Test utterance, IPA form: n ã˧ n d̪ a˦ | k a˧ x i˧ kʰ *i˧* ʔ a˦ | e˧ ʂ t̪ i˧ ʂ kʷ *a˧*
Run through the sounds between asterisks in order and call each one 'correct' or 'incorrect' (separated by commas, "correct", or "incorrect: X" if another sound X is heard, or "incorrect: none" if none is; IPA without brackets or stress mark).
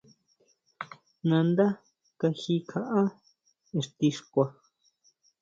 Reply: incorrect: a˧, correct